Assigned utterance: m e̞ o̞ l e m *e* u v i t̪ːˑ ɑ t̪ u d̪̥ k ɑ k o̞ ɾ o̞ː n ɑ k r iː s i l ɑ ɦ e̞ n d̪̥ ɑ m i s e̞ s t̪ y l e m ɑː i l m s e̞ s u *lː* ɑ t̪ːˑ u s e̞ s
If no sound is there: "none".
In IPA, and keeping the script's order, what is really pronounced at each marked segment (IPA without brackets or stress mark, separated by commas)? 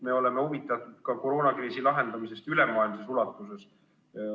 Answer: e, l